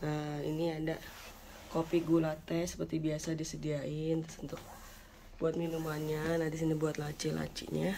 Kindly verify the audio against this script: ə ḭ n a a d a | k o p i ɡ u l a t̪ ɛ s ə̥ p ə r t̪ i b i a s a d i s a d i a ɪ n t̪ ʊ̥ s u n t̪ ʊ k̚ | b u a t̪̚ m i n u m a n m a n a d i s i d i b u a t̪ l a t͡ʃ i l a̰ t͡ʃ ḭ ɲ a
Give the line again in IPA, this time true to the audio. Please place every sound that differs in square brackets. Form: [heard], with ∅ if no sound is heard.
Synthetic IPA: ə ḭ n [i] a d a | k o p i ɡ u l a t̪ ɛ s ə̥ p ə r t̪ i b i a s a d i s [ə] d i a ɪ n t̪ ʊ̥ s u n t̪ ʊ k̚ | b u a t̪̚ m i n u m a n [ɲ] a n a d i s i [n] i b u a t̪ l a t͡ʃ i l a̰ t͡ʃ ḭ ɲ a